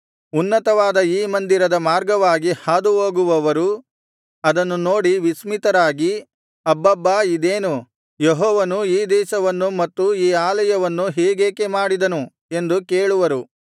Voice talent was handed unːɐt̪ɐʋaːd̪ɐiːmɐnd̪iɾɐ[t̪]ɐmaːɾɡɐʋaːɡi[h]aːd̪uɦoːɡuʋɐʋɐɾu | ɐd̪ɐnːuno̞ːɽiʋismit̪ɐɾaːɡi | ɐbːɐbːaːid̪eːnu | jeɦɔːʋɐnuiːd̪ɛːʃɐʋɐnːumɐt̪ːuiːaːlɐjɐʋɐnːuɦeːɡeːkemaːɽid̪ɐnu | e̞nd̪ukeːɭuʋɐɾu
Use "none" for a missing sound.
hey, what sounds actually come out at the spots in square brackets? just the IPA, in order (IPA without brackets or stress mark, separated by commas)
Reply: d̪, h